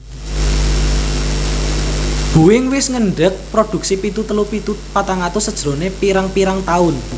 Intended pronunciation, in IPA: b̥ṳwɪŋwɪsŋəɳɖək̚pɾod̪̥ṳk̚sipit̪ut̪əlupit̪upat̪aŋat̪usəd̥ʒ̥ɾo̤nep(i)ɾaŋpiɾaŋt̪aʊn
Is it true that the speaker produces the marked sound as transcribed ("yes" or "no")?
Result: yes